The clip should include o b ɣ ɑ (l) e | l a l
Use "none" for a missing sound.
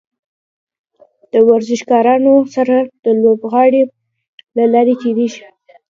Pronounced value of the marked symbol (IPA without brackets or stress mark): ɽ